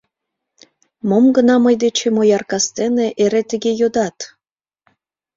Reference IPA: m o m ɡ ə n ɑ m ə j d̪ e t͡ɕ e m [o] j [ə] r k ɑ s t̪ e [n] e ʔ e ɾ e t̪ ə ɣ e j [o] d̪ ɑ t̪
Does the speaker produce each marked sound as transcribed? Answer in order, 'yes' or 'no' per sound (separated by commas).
yes, no, yes, yes